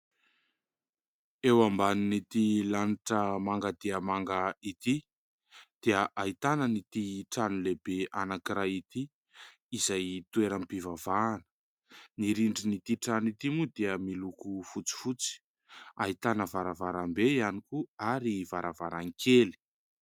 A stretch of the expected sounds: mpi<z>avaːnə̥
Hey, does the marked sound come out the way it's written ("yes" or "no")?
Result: no